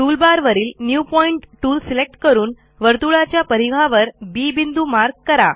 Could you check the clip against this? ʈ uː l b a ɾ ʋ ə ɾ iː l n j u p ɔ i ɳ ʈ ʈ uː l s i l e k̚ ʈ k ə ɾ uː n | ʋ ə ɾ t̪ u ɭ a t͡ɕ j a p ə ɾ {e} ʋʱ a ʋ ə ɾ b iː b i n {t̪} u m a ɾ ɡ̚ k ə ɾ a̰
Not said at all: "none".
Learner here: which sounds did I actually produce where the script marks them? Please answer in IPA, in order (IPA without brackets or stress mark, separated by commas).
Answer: i, d̪